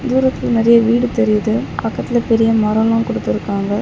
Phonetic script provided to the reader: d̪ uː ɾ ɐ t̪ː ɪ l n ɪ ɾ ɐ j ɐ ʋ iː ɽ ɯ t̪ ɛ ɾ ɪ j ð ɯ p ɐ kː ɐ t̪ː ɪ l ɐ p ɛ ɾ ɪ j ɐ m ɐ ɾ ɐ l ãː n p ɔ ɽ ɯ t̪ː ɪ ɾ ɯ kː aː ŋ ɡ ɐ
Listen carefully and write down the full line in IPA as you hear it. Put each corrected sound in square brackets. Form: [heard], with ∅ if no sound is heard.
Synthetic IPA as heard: d̪ uː ɾ ɐ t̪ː ɪ l n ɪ ɾ ɐ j ɐ ʋ iː ɽ ɯ t̪ ɛ ɾ ɪ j ð ɯ p ɐ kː ɐ t̪ː ɪ l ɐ p ɛ ɾ ɪ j ɐ m ɐ ɾ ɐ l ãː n [k] ɔ ɽ ɯ t̪ː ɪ ɾ ɯ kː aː ŋ ɡ ɐ